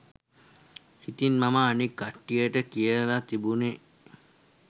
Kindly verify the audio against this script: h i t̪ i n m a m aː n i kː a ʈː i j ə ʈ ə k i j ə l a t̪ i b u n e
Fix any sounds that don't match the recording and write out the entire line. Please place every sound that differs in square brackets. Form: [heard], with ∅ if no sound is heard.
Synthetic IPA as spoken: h i t̪ i n m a m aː n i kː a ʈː i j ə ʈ ə k i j ə l a t̪ i b u n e